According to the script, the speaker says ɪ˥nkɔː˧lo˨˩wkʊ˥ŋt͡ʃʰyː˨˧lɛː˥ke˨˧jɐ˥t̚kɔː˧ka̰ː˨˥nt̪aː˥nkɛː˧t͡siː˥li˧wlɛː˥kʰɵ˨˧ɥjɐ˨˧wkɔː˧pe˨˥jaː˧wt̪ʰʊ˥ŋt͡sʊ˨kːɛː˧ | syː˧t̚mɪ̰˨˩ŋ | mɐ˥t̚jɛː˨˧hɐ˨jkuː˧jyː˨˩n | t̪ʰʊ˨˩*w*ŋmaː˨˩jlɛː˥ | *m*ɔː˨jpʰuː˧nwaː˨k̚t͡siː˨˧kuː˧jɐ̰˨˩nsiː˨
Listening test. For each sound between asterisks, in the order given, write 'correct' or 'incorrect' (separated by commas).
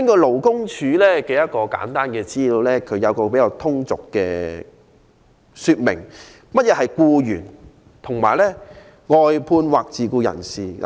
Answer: incorrect, incorrect